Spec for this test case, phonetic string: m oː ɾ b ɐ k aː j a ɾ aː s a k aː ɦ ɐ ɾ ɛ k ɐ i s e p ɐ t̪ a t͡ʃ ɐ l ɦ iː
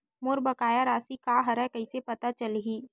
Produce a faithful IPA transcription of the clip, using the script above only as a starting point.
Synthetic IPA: m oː ɾ b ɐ k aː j a ɾ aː s i k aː ɦ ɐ ɾ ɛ k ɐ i s e p ɐ t̪ a t͡ʃ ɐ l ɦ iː